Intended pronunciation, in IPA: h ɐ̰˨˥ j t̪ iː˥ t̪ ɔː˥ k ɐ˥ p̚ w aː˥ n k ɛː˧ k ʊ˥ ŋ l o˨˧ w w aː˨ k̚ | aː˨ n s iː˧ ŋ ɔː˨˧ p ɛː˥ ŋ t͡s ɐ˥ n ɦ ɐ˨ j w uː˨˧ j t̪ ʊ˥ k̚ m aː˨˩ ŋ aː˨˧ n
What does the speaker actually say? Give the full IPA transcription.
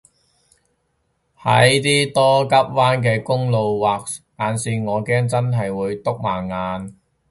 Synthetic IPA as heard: h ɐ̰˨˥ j t̪ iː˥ t̪ ɔː˥ k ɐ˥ p̚ w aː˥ n k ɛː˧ k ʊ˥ ŋ l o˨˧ w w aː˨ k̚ | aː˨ n s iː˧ ŋ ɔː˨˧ k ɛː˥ ŋ t͡s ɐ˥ n ɦ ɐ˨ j w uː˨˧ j t̪ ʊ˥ k̚ m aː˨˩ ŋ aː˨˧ n